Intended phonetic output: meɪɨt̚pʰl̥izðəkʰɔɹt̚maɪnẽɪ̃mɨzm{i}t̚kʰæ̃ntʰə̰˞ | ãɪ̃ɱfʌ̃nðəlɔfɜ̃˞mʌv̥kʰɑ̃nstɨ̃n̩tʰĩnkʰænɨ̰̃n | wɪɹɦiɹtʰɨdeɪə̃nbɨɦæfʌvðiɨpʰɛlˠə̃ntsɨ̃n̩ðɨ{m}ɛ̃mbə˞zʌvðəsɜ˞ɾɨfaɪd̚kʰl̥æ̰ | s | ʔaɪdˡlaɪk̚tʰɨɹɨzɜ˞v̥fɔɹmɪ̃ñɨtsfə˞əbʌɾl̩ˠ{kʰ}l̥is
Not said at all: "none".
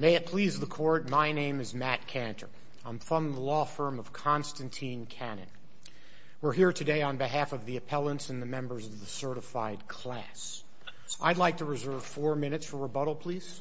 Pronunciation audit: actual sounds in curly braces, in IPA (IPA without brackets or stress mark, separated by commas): æ, m, pʰ